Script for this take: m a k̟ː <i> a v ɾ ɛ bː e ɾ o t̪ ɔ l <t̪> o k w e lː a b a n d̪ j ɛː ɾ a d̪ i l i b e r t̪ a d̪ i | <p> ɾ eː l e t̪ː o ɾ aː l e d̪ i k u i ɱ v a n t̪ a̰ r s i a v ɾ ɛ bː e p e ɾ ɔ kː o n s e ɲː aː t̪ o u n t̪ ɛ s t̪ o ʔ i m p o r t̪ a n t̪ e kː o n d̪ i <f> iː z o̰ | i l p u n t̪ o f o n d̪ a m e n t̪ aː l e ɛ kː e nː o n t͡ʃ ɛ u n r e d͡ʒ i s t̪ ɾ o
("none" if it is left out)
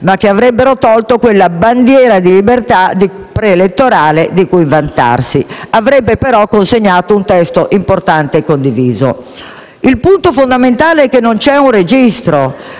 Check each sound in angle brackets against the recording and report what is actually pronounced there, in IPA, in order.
e, t̪, p, v

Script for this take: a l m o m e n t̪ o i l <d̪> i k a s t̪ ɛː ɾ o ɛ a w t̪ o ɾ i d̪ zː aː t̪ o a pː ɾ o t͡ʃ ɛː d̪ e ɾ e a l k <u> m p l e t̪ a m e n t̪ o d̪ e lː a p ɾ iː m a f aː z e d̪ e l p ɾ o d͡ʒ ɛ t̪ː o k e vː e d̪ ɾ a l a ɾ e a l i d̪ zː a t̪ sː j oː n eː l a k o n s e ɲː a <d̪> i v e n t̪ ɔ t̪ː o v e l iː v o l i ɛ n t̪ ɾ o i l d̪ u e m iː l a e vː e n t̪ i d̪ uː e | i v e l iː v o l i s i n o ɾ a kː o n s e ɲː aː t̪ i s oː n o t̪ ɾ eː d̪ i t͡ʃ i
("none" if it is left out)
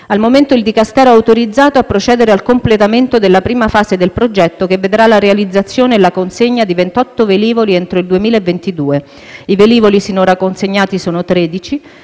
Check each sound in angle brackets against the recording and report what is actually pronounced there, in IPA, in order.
d̪, o, d̪

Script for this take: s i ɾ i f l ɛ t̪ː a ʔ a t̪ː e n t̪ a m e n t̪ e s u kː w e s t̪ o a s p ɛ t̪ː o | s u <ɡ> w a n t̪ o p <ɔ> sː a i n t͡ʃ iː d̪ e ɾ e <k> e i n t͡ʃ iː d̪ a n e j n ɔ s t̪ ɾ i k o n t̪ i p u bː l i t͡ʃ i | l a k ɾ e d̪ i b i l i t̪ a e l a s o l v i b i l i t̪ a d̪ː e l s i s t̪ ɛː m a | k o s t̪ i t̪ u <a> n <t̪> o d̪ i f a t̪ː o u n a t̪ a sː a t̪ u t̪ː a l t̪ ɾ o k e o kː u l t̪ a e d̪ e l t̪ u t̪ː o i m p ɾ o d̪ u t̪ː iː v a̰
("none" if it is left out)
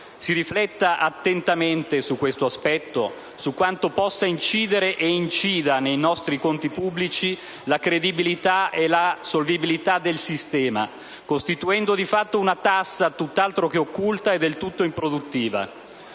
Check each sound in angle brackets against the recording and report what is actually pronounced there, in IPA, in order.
k, ɔ, ʔ, ɛ, d̪

